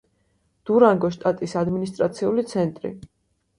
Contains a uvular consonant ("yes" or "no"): no